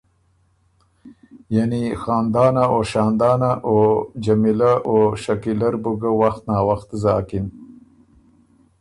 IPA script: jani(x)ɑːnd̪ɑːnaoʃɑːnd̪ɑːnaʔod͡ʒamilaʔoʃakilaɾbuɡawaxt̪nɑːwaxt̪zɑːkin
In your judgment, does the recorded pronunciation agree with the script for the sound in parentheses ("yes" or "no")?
yes